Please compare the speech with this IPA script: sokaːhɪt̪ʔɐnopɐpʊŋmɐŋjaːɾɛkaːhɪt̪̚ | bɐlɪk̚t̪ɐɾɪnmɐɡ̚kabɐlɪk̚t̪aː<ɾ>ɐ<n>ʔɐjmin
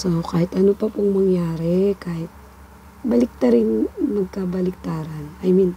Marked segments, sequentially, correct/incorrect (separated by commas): correct, correct